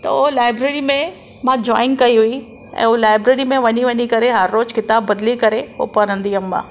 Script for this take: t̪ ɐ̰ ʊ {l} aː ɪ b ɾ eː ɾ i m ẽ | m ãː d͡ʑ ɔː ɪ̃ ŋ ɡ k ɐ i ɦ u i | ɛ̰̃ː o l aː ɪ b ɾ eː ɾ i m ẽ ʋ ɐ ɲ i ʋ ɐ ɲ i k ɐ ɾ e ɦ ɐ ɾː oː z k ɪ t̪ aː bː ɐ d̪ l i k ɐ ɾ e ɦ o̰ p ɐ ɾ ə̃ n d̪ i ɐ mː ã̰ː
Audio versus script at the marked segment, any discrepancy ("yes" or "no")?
no